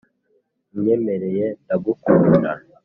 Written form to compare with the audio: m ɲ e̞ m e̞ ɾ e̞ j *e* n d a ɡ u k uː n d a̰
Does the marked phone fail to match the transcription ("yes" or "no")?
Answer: no